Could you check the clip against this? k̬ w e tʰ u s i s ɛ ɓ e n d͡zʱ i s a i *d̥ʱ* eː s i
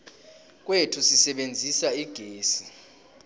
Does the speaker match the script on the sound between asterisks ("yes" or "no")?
no